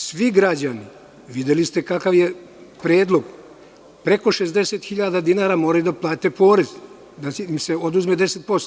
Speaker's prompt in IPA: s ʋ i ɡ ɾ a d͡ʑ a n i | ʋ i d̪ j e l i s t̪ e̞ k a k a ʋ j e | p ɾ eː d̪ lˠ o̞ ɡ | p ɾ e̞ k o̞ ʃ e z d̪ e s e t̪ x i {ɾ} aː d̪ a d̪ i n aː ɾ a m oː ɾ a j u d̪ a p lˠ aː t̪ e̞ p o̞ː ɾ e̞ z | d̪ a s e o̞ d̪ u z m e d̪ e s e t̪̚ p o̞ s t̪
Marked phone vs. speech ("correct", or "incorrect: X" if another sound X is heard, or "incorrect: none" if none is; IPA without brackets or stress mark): incorrect: ʎ